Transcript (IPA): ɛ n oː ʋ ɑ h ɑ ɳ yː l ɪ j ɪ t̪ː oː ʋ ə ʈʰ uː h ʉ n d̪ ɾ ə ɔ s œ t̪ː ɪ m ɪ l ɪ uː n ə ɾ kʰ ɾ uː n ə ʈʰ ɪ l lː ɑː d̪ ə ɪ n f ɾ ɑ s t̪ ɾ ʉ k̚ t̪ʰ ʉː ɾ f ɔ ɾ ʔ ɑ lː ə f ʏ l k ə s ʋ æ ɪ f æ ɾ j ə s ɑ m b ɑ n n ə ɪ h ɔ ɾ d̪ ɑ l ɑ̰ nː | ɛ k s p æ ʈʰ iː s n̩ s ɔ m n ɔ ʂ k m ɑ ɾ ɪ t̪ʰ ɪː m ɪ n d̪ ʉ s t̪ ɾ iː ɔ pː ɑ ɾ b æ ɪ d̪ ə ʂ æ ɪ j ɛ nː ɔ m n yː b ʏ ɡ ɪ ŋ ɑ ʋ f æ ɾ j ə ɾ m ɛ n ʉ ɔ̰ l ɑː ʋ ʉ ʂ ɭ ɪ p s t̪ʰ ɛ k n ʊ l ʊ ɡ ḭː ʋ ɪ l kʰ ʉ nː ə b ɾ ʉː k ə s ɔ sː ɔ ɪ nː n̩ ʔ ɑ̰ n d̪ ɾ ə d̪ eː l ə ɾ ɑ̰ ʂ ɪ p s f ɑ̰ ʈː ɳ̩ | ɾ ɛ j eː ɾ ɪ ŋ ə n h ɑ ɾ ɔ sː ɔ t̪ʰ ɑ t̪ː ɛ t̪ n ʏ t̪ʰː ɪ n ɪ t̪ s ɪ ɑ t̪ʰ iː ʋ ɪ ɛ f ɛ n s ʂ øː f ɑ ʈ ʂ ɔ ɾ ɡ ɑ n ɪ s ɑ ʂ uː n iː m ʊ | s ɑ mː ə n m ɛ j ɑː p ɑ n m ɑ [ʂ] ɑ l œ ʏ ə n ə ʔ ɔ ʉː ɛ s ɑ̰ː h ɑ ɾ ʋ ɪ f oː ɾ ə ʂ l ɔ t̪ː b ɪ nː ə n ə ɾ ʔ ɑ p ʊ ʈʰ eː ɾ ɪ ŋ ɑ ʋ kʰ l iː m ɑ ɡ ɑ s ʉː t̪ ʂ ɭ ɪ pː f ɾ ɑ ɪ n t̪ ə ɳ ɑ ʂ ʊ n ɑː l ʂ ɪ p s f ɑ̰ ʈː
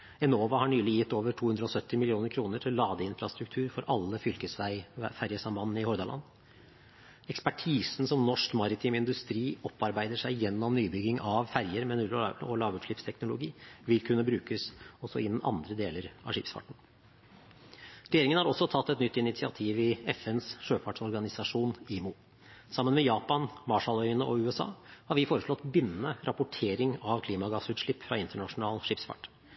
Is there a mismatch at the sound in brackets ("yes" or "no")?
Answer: no